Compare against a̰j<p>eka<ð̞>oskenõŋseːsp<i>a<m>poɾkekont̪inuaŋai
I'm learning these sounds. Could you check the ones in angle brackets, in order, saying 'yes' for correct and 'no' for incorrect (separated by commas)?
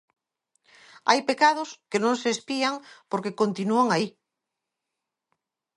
yes, yes, yes, no